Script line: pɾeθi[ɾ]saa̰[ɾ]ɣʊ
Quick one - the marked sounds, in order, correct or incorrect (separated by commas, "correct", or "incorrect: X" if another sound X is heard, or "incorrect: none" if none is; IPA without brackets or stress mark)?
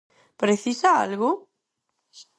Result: incorrect: none, incorrect: l